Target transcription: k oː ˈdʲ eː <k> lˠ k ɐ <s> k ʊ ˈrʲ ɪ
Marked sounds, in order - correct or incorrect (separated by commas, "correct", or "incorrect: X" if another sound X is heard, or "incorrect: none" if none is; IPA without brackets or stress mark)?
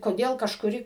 incorrect: none, incorrect: ʃ